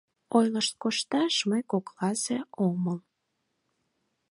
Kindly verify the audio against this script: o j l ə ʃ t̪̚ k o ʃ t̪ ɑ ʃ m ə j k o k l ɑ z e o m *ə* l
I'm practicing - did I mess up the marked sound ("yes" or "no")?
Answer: no